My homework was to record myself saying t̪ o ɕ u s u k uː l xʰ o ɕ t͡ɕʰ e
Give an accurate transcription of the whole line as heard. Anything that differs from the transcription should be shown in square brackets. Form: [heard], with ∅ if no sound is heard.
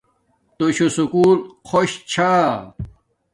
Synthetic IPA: t̪ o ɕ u s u k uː l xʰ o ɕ t͡ɕʰ [a]